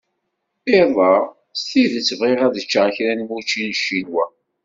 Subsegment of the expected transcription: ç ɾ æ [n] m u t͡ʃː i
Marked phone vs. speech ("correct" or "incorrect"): correct